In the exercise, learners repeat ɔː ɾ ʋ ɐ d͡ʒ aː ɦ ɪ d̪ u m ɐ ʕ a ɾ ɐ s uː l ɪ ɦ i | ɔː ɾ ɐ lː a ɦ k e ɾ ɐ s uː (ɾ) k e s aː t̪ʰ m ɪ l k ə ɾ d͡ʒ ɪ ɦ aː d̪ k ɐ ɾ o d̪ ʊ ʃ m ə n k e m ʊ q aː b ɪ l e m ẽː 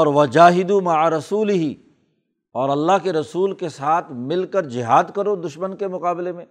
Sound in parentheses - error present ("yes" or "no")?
yes